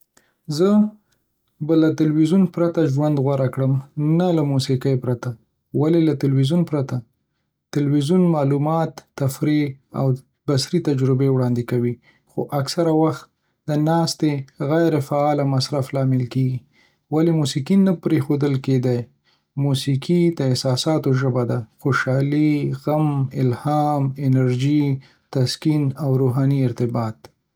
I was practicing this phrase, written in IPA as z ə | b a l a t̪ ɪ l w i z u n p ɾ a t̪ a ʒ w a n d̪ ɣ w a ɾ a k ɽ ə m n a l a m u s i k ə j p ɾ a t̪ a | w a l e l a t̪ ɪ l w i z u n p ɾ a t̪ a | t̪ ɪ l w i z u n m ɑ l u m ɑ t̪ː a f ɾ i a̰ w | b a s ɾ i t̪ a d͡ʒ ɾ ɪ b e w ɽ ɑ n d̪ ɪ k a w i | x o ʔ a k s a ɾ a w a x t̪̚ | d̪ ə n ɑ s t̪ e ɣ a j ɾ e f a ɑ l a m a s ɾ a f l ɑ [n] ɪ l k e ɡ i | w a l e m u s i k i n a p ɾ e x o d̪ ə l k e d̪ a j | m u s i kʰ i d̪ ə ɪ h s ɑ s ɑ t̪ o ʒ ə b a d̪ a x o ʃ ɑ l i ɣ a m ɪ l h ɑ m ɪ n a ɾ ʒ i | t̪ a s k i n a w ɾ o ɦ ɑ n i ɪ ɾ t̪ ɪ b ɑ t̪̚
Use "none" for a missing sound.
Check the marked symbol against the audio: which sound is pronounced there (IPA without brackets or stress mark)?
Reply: m